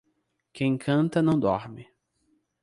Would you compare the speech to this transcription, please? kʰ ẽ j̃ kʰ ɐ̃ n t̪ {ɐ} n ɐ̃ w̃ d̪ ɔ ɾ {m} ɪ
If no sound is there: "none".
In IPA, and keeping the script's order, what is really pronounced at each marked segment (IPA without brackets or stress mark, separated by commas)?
ɐ, m